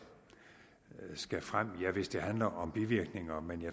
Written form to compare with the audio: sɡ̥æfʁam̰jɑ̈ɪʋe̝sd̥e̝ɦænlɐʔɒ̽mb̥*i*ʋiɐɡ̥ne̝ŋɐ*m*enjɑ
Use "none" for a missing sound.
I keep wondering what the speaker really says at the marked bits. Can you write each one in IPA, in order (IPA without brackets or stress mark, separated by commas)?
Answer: i, m